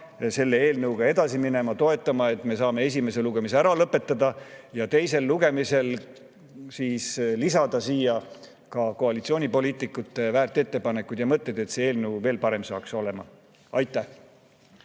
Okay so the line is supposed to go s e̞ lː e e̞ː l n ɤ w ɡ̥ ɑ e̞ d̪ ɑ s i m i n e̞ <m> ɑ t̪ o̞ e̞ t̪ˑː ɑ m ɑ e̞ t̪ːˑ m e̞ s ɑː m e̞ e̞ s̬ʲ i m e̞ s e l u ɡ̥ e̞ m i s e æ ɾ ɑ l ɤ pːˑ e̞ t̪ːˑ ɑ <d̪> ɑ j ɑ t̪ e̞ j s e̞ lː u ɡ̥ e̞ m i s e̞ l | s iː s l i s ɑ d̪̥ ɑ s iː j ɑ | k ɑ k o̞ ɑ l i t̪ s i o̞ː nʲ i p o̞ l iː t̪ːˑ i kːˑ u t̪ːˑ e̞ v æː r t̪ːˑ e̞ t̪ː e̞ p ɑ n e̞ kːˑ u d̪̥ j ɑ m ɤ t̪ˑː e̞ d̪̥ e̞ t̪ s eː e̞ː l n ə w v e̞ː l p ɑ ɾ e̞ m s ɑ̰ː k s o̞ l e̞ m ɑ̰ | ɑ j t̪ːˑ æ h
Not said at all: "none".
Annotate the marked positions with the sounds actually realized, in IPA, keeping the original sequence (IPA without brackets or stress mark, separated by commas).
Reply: m, d̪